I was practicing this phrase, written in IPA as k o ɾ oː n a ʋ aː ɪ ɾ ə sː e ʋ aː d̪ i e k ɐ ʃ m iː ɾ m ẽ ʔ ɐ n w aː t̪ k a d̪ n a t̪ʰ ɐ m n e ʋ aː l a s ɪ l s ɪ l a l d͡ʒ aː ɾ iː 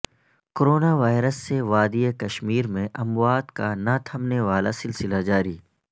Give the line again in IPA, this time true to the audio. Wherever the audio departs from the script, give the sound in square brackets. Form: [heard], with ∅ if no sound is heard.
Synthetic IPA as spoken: k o ɾ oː n a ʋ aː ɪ ɾ ə sː e ʋ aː d̪ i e k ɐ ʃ m iː ɾ m ẽ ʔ ɐ [m] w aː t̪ k a [∅] n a t̪ʰ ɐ m n e ʋ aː l a s ɪ l s ɪ l a [∅] d͡ʒ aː ɾ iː